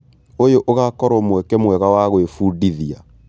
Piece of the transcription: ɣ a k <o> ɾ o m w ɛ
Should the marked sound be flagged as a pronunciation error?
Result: yes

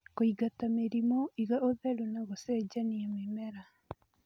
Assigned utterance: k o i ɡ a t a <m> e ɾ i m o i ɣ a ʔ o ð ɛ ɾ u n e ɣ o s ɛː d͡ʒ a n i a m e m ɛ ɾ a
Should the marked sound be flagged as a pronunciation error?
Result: no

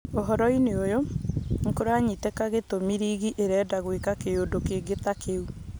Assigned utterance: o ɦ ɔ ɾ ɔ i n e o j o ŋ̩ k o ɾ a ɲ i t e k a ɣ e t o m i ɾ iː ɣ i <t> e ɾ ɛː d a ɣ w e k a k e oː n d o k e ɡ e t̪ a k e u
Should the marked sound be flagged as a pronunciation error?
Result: yes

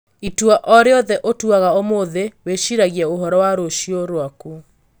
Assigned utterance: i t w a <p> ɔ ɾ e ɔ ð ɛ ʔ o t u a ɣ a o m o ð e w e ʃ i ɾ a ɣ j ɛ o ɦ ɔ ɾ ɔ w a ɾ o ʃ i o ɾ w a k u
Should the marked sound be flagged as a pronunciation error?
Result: yes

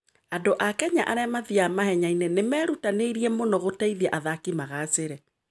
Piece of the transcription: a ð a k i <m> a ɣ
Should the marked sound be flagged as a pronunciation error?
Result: no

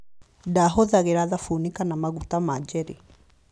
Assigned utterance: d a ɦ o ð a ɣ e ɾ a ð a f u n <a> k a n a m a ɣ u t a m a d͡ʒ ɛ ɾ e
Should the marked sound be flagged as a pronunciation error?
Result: yes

